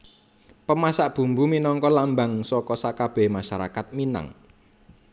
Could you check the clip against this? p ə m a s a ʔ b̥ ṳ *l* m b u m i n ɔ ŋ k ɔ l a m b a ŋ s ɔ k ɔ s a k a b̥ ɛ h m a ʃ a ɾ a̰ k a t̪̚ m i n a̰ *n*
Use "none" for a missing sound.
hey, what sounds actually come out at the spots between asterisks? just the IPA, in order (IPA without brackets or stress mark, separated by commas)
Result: none, ŋ